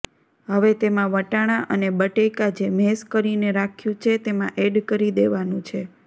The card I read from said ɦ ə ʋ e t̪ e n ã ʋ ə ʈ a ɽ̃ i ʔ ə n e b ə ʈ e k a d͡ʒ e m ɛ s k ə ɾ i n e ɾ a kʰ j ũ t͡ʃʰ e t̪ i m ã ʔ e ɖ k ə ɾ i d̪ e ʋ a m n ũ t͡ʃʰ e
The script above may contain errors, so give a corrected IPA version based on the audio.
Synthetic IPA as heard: ɦ ə ʋ e t̪ e m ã ʋ ə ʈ a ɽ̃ a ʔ ə n e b ə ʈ e k a d͡ʒ e m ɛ s k ə ɾ i n e ɾ a kʰ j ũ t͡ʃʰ e t̪ e m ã ʔ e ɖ k ə ɾ i d̪ e ʋ a n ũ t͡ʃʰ e